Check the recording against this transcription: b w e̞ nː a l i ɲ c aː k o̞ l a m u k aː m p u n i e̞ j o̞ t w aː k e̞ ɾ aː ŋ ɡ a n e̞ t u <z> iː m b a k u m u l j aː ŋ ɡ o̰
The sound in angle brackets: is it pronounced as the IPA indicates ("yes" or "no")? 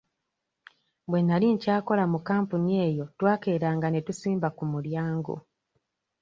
no